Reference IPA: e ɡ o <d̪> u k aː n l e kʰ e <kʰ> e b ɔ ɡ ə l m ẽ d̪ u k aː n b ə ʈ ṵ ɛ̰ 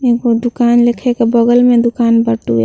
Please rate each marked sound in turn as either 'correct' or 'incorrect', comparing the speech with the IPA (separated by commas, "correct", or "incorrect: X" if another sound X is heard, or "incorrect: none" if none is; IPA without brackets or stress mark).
correct, incorrect: k